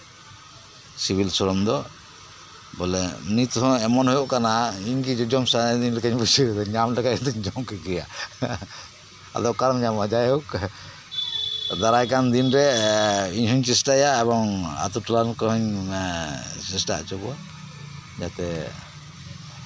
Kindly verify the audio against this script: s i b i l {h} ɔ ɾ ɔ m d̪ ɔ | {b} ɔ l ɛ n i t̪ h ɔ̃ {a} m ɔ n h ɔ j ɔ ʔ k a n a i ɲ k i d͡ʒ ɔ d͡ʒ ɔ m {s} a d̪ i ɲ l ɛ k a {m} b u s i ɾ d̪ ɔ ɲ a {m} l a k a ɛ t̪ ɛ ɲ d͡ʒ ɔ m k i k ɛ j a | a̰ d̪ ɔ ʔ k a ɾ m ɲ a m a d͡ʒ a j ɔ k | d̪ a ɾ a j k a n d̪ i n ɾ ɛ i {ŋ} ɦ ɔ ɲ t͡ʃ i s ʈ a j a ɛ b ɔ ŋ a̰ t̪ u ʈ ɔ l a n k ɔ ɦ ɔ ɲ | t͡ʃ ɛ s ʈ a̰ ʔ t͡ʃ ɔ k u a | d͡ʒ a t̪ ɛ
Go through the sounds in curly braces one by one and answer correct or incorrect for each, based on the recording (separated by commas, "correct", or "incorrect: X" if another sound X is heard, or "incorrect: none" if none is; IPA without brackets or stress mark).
incorrect: s, correct, incorrect: ɛ, correct, incorrect: ɲ, correct, incorrect: ɲ